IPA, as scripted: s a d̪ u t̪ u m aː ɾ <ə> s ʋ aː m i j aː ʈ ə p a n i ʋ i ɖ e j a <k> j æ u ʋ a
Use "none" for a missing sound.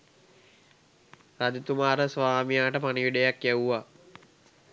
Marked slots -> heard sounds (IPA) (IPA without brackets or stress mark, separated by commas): ə, k